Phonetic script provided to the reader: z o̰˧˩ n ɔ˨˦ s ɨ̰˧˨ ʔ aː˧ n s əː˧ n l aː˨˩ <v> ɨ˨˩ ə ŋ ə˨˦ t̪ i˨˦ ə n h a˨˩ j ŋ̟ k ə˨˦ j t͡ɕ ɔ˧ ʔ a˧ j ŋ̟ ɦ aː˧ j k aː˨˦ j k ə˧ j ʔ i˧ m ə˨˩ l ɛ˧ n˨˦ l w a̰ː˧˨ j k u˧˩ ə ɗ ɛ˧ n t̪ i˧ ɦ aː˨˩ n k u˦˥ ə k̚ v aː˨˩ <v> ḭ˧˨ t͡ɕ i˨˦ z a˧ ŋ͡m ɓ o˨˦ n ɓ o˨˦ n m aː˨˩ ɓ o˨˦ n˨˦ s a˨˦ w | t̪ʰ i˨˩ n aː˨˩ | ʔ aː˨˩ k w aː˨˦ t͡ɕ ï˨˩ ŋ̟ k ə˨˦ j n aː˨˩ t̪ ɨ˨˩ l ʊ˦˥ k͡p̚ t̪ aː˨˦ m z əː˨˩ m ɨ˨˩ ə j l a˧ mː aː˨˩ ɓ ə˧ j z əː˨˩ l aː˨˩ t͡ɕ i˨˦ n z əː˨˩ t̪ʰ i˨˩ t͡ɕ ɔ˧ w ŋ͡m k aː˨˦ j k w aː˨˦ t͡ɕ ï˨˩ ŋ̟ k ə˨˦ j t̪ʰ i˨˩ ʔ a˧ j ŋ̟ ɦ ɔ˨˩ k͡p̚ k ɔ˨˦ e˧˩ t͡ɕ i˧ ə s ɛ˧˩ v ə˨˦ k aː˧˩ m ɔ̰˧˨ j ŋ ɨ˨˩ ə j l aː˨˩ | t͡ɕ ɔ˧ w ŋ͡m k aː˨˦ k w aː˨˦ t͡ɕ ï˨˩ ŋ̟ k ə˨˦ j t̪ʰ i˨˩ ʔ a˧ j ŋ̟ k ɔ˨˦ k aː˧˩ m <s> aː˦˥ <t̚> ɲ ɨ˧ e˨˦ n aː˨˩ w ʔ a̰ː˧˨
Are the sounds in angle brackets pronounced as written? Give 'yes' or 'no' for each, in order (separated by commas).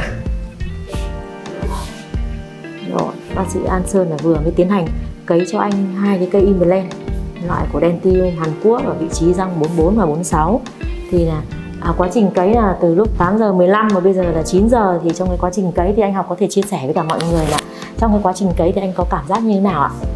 yes, yes, no, yes